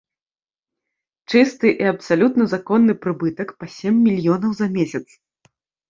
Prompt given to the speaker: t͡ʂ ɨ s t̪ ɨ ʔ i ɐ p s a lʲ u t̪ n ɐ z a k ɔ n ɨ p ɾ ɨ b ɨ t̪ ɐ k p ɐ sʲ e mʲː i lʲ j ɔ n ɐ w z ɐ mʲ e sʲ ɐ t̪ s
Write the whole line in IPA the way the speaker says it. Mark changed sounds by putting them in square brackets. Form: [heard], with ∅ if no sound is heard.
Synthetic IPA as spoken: t͡ʂ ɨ s t̪ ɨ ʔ i ɐ p s a lʲ u t̪ n ɐ z a k ɔ [nː] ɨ p ɾ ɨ b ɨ t̪ ɐ k p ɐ sʲ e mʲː i lʲ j ɔ n ɐ w z ɐ mʲ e sʲ ɐ t̪ s